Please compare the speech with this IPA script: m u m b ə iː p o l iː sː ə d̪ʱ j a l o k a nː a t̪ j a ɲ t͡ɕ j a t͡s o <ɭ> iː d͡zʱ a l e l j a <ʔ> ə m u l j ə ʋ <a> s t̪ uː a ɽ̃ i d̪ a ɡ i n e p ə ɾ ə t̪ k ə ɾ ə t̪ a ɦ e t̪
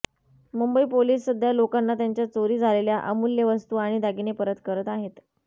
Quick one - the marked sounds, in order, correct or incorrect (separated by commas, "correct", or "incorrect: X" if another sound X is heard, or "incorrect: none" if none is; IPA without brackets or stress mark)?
incorrect: ɾ, correct, incorrect: ə